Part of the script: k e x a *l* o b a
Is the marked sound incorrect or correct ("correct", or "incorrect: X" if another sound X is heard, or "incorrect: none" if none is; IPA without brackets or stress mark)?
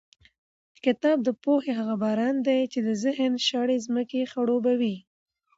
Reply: incorrect: ɽ